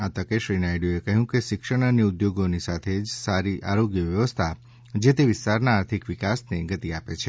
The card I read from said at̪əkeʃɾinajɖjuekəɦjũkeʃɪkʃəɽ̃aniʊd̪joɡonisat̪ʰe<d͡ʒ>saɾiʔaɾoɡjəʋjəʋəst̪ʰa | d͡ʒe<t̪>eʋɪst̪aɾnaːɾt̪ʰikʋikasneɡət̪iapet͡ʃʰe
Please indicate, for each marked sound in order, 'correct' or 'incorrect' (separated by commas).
correct, correct